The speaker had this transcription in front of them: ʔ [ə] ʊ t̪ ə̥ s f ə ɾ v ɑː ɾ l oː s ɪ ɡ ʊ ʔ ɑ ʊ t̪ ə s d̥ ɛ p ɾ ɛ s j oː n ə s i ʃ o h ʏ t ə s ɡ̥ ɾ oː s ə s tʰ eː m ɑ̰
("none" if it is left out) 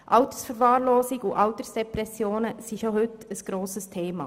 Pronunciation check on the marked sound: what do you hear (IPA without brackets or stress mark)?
ɑ